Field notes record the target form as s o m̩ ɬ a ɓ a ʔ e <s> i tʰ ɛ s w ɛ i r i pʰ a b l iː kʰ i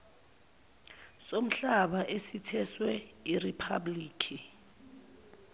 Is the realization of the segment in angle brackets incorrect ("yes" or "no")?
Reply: no